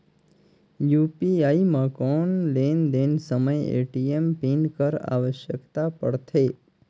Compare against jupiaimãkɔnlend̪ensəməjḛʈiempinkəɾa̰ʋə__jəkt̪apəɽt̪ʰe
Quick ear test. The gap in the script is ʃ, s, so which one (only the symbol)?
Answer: ʃ